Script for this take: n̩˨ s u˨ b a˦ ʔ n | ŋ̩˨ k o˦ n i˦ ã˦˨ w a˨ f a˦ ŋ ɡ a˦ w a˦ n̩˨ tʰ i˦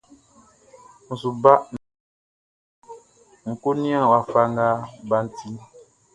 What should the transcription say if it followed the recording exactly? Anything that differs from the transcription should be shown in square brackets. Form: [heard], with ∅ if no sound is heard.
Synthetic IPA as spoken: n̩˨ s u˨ b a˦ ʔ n | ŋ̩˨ k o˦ n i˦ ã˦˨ w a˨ f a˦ ŋ ɡ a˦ [b] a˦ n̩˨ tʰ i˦